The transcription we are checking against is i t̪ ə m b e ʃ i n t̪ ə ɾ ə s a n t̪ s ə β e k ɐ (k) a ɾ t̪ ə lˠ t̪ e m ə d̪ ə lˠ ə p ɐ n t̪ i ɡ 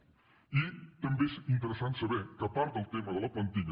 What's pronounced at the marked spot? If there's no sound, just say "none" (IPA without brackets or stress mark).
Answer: p